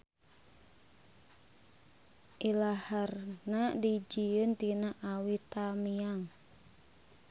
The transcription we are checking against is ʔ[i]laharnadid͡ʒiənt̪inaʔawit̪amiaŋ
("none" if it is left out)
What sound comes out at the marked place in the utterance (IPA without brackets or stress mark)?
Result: i